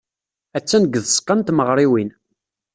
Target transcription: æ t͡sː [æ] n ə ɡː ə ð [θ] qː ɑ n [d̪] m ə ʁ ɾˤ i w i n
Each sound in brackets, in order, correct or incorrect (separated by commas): correct, incorrect, incorrect